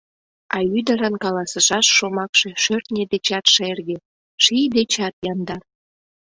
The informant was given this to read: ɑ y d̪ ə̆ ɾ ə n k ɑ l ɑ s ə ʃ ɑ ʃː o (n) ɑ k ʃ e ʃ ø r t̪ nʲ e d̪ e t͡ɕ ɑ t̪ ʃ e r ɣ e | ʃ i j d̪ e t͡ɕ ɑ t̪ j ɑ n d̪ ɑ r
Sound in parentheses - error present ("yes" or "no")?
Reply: yes